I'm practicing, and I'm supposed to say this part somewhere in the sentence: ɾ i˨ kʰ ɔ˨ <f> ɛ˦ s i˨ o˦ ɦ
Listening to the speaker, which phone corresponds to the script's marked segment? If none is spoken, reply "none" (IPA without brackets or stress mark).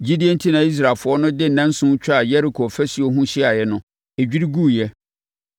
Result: f